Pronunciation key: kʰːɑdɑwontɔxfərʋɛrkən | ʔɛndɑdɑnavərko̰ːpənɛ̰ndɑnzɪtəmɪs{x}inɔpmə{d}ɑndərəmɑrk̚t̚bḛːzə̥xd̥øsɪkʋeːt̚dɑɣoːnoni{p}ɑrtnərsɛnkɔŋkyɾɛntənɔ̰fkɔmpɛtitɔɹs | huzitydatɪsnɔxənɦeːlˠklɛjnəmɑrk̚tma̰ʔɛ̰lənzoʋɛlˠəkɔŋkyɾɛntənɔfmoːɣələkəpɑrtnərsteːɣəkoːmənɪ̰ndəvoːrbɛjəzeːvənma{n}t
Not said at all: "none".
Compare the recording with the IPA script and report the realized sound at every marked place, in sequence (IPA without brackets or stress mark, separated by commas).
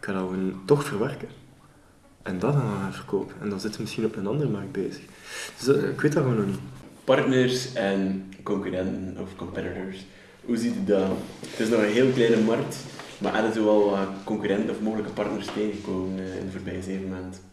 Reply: x, n, p, n